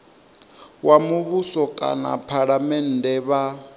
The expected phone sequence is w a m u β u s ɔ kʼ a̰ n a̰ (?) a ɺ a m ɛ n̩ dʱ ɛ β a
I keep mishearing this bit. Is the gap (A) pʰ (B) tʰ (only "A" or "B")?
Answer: A